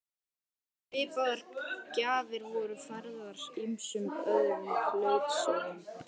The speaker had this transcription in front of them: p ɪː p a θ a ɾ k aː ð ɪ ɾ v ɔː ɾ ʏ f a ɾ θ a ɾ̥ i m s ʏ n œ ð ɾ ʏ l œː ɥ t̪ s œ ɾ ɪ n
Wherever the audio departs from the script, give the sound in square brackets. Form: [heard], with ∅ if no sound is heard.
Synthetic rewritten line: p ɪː p a [ð] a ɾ [c] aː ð ɪ ɾ v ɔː ɾ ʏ f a ɾ [ð] a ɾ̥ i m s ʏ [m] œ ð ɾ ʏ l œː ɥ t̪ s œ ɾ ɪ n